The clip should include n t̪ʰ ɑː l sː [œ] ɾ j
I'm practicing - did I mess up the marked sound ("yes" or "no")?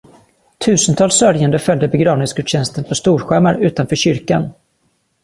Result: no